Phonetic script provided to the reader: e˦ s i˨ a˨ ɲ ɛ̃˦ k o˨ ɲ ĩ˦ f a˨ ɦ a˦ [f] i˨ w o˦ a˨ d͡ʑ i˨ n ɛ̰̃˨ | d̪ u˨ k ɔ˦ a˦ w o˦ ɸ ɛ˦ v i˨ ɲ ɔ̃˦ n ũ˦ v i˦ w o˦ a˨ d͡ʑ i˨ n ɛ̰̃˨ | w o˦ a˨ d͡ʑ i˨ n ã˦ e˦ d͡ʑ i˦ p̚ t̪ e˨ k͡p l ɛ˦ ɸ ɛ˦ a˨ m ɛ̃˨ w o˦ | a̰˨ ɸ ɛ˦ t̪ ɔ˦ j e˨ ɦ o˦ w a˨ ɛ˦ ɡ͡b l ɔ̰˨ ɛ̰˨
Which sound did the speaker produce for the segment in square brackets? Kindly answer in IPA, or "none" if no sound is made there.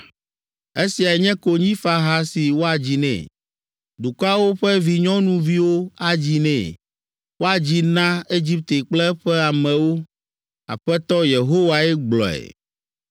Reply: s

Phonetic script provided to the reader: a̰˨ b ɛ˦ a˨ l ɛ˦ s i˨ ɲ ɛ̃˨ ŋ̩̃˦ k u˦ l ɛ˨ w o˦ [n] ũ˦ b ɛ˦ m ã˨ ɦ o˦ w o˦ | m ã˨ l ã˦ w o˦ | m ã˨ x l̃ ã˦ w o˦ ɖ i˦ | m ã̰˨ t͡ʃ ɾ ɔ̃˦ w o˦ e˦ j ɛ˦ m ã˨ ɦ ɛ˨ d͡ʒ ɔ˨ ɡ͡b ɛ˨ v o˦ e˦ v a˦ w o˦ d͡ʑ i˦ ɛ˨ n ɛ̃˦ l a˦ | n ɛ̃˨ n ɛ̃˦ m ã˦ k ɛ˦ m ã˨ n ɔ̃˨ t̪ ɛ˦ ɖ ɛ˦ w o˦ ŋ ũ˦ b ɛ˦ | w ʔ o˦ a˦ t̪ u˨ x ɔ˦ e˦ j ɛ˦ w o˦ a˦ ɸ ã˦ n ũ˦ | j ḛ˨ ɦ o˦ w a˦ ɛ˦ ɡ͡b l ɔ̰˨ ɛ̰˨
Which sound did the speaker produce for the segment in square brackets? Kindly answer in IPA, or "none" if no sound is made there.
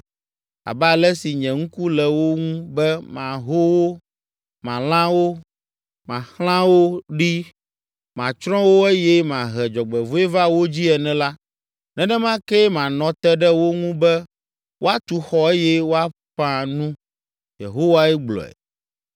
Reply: ŋ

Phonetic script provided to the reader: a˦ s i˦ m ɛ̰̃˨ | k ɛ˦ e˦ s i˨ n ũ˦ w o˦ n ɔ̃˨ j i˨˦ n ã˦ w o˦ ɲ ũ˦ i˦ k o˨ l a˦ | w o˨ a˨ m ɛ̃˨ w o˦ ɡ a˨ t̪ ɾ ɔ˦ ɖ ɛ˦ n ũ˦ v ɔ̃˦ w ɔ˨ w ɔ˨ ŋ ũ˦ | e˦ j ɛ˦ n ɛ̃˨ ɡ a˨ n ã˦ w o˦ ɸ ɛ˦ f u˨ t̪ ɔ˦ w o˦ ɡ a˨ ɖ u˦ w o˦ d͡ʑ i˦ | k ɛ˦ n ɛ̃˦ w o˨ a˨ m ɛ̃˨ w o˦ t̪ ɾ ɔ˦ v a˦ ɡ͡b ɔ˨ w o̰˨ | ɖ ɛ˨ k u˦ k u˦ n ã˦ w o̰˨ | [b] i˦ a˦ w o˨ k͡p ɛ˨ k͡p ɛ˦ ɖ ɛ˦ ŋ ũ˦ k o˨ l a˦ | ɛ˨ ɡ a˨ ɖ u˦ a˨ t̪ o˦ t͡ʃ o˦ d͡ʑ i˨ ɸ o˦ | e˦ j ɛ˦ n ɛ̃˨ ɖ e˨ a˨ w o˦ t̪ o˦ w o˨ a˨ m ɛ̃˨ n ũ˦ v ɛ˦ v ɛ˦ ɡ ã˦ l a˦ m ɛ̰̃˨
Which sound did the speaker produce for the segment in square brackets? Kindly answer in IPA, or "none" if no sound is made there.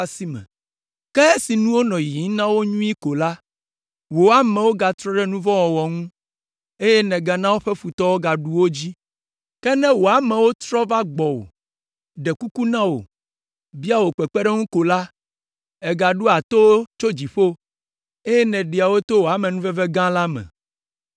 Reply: b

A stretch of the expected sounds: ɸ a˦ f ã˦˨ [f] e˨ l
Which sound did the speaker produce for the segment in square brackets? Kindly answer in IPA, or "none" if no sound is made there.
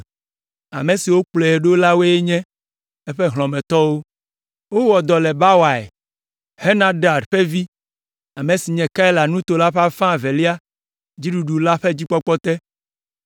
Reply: v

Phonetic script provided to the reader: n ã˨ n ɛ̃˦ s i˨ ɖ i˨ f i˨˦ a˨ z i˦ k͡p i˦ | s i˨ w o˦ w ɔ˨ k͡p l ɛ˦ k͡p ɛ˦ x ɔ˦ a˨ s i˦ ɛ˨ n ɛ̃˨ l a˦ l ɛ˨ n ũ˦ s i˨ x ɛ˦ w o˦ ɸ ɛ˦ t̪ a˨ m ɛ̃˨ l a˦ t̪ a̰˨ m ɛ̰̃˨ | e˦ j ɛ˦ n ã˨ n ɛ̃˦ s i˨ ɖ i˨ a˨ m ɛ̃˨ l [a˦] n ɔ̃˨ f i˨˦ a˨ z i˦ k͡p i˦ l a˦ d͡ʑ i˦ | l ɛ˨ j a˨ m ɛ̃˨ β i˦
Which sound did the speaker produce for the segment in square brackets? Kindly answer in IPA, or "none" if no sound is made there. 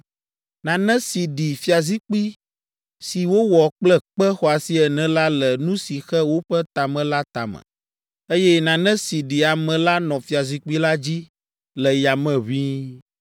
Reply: a˦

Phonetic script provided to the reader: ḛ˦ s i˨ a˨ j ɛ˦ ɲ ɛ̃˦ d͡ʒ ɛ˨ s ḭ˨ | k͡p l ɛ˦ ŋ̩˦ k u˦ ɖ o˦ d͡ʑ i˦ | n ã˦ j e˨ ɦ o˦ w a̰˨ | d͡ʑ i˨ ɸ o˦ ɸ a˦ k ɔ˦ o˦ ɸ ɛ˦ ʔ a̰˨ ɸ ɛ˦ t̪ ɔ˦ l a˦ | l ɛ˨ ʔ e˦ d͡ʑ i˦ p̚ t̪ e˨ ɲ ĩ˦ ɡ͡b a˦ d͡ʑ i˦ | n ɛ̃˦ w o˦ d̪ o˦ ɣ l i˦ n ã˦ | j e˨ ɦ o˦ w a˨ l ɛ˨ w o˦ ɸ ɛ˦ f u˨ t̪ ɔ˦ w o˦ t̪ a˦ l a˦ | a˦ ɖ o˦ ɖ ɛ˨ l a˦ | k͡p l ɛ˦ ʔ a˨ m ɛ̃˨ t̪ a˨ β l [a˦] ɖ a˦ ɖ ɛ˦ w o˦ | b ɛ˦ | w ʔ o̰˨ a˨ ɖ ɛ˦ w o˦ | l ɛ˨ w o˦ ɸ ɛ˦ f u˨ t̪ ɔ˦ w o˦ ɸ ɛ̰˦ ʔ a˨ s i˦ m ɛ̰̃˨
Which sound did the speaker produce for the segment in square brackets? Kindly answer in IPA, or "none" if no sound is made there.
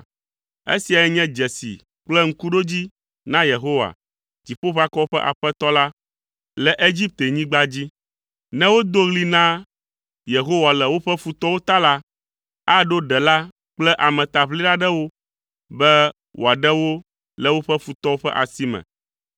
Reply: i˦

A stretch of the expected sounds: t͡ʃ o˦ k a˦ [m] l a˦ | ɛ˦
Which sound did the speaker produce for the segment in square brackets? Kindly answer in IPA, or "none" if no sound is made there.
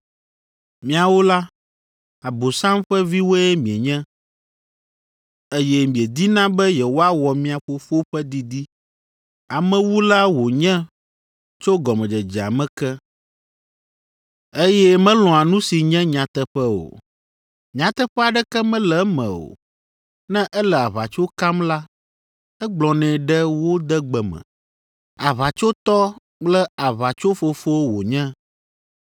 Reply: m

